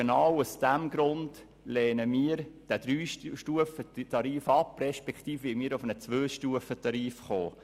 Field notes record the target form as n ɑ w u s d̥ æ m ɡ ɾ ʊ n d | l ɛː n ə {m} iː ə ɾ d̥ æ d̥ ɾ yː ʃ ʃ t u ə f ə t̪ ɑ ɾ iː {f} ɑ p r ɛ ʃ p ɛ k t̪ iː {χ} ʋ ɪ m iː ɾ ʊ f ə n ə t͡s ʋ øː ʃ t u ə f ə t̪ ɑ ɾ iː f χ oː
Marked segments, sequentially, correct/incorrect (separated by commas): correct, correct, incorrect